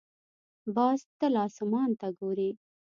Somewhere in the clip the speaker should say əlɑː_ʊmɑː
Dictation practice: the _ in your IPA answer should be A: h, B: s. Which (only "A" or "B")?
B